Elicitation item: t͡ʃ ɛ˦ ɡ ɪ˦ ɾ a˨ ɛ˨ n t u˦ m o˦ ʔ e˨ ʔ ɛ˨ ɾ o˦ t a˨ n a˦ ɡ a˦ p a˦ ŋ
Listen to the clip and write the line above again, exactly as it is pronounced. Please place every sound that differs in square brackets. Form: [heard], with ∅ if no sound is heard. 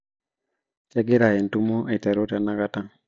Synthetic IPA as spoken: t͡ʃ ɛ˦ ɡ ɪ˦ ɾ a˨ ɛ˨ n t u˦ m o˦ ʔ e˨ [t] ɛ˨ ɾ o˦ t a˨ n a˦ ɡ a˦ [t] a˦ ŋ

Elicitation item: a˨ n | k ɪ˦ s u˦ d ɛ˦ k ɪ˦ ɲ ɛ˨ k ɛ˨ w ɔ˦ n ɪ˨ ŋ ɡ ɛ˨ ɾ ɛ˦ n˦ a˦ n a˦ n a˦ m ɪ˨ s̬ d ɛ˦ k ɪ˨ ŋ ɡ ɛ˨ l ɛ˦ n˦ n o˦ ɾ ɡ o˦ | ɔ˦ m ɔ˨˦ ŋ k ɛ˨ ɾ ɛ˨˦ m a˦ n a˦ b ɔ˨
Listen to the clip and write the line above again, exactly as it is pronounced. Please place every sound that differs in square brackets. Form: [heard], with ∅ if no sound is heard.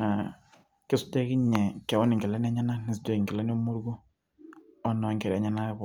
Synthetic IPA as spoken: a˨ [∅] | k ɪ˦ s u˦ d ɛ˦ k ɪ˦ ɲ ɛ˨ k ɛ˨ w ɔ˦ n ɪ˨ ŋ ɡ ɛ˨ [l] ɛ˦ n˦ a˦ [ɲ] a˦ n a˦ [n] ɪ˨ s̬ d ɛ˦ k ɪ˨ ŋ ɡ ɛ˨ l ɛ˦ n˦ [m] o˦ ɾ ɡ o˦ | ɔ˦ [n] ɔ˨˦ ŋ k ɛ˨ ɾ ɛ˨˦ [ɲ] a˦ n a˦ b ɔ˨

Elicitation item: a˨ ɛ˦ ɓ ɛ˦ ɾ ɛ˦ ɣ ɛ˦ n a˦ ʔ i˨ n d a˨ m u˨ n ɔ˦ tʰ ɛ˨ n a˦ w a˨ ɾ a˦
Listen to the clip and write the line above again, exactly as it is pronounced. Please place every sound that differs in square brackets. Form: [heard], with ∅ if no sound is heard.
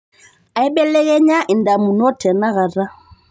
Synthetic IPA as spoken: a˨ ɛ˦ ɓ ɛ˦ [l] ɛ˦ ɣ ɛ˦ [ɲ] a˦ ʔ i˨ n d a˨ m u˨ n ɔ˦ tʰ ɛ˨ n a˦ [ɣ] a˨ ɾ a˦

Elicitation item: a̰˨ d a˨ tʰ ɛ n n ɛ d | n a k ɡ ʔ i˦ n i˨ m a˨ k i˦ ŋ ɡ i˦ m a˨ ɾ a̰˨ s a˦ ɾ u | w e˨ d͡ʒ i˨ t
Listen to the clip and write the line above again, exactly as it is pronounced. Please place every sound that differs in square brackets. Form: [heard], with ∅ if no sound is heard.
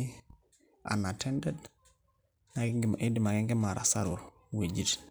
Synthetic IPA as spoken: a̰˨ [n] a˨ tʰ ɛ n [d] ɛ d | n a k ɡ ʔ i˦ [d] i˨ m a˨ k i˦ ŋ ɡ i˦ m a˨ ɾ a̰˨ s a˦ ɾ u | w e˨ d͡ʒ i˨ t

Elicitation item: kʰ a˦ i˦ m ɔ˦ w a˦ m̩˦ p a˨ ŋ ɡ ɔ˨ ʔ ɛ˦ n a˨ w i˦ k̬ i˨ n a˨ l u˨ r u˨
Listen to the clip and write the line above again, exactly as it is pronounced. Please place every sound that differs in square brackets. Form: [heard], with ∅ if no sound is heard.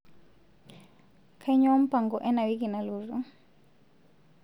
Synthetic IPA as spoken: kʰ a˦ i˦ [ɲ] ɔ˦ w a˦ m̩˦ p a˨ ŋ ɡ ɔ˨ ʔ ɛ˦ n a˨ w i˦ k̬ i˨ n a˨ l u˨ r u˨

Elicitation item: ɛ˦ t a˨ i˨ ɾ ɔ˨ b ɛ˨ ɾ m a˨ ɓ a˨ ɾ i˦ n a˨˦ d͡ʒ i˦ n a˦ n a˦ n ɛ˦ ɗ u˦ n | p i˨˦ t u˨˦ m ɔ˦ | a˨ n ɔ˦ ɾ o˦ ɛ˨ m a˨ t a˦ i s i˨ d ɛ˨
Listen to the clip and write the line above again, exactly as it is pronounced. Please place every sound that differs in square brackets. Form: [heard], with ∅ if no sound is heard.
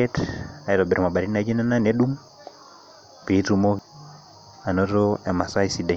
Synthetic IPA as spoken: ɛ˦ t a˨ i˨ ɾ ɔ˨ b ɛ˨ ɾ m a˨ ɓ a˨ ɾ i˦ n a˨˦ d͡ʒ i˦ n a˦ n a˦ n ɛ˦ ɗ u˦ [ŋ] | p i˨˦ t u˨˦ m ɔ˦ | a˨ n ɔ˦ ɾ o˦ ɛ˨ m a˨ [s] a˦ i s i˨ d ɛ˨

